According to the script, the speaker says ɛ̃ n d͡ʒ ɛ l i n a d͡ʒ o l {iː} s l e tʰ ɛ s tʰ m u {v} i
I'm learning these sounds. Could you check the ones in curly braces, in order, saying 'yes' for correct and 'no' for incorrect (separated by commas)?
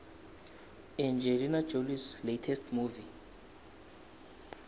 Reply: no, yes